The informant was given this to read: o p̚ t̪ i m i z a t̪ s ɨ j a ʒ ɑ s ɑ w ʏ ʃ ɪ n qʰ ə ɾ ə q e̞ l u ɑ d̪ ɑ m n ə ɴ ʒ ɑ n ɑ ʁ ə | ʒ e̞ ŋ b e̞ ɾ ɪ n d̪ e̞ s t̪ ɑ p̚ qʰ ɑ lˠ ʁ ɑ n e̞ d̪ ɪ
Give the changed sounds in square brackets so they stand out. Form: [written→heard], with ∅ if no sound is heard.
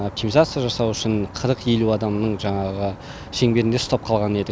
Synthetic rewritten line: o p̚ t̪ i m i z a t̪ s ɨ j a ʒ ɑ s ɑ w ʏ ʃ ɪ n qʰ ə ɾ ə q e̞ l u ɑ d̪ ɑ m n ə ɴ ʒ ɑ [n→ɴ] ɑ ʁ ə | [ʒ→ʃ] e̞ ŋ b e̞ ɾ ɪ n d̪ e̞ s t̪ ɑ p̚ qʰ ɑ lˠ ʁ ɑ n e̞ d̪ ɪ

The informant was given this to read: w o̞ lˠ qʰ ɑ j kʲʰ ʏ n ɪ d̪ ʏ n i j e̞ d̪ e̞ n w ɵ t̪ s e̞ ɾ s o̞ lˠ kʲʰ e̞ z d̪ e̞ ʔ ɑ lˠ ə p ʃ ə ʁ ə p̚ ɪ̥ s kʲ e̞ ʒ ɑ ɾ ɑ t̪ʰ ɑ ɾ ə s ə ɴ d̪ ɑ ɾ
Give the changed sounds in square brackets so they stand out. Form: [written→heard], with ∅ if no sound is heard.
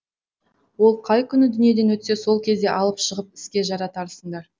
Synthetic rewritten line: w o̞ lˠ qʰ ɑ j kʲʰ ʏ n ɪ d̪ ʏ n i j e̞ d̪ e̞ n w ɵ t̪ s e̞ [ɾ→∅] s o̞ lˠ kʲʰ e̞ z d̪ e̞ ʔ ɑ lˠ ə p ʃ ə ʁ ə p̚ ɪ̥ s kʲ e̞ ʒ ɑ ɾ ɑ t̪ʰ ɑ ɾ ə s ə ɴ d̪ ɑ ɾ

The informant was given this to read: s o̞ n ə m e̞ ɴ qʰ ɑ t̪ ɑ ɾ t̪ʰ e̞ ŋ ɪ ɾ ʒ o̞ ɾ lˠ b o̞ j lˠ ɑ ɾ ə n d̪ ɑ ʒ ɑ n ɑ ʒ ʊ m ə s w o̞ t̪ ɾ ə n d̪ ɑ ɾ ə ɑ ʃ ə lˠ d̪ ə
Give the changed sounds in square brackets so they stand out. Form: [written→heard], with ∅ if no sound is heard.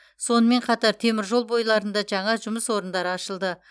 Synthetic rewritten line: s o̞ n ə m e̞ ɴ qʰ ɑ t̪ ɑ ɾ t̪ʰ e̞ [ŋ→m] ɪ ɾ ʒ o̞ [ɾ→∅] lˠ b o̞ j lˠ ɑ ɾ ə n d̪ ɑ ʒ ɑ [n→ɴ] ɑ ʒ ʊ m ə s w o̞ [t̪→∅] ɾ ə n d̪ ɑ ɾ ə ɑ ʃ ə lˠ d̪ ə

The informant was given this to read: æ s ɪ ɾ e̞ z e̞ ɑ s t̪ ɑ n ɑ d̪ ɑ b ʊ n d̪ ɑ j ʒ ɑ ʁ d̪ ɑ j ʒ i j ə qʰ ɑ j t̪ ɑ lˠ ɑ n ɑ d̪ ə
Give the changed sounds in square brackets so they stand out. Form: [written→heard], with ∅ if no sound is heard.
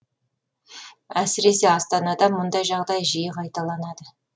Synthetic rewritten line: æ s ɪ ɾ e̞ [z→s] e̞ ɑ s t̪ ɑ n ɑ d̪ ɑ [b→m] ʊ n d̪ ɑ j ʒ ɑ ʁ d̪ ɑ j ʒ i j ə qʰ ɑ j t̪ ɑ lˠ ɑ n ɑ d̪ ə

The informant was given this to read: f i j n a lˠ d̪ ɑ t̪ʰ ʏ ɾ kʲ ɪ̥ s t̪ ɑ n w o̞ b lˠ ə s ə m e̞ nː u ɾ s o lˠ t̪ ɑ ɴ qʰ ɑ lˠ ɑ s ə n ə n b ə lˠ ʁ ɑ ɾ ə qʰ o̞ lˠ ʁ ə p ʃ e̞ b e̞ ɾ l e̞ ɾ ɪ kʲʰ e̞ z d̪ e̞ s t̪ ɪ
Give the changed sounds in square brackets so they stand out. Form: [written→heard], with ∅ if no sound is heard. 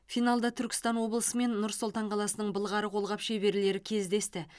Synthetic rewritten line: f i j n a lˠ d̪ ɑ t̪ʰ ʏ ɾ kʲ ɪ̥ s t̪ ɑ n w o̞ b lˠ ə s ə m e̞ nː [u→ʊ] ɾ s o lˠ t̪ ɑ ɴ qʰ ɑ lˠ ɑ s ə n ə [n→ɴ] b ə lˠ ʁ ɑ ɾ ə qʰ o̞ lˠ ʁ [ə→ɑ] p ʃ e̞ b e̞ ɾ l e̞ ɾ ɪ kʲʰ e̞ z d̪ e̞ s t̪ ɪ

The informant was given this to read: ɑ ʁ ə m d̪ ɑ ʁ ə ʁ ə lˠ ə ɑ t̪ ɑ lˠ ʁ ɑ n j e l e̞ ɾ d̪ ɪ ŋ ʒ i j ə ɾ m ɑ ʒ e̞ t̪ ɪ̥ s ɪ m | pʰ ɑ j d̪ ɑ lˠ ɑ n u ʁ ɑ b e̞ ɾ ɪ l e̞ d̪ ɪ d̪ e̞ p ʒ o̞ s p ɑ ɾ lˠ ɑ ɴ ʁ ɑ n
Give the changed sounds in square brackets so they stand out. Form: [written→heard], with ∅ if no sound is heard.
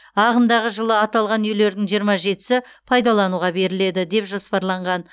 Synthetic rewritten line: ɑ ʁ ə m d̪ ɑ ʁ ə [ʁ→ʒ] ə lˠ ə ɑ t̪ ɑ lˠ ʁ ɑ n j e l e̞ ɾ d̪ ɪ ŋ ʒ i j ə ɾ m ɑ ʒ e̞ t̪ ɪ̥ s ɪ [m→∅] | pʰ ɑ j d̪ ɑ lˠ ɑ n u ʁ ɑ b e̞ ɾ ɪ l e̞ d̪ ɪ d̪ e̞ p ʒ o̞ s p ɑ ɾ lˠ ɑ ɴ ʁ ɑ n

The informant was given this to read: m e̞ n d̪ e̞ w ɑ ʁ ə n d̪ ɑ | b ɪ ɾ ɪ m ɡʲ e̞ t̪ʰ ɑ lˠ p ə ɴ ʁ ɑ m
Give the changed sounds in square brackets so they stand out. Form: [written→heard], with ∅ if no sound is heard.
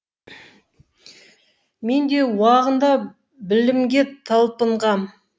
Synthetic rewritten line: m e̞ n d̪ e̞ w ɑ ʁ ə n d̪ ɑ | b ɪ [ɾ→l] ɪ m ɡʲ e̞ t̪ʰ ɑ lˠ p ə ɴ ʁ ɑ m

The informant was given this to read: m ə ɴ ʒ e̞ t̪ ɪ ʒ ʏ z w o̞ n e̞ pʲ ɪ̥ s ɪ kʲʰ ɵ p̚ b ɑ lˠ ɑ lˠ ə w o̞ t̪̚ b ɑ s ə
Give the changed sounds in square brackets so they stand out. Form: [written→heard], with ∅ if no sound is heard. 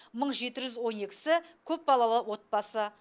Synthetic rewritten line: m ə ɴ ʒ e̞ t̪ ɪ ʒ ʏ z w o̞ n e̞ [pʲ→kʲ] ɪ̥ s ɪ kʲʰ ɵ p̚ b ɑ lˠ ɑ lˠ ə w o̞ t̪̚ b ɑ s ə

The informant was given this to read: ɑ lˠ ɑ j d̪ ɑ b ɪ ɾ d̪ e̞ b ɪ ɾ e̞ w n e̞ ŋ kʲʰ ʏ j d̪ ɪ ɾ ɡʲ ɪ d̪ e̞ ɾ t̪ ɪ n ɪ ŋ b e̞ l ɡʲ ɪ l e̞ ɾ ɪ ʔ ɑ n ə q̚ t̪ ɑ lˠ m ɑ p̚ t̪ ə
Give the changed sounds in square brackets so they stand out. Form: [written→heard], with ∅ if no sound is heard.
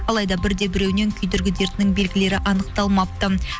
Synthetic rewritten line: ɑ lˠ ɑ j d̪ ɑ b ɪ ɾ d̪ e̞ b ɪ ɾ e̞ w n e̞ ŋ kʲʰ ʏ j d̪ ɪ ɾ ɡʲ ɪ d̪ e̞ ɾ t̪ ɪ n ɪ ŋ b e̞ l ɡʲ ɪ l e̞ ɾ ɪ ʔ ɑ n ə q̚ t̪ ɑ lˠ m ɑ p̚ t̪ ə

